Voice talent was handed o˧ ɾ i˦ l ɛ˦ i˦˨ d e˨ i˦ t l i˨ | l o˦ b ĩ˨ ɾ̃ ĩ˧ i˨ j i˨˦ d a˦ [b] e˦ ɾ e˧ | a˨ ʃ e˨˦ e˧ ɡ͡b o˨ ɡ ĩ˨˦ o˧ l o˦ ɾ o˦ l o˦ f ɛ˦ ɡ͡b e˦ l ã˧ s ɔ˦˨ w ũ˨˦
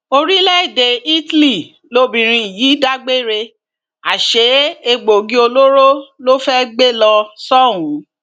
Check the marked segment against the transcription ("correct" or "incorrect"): incorrect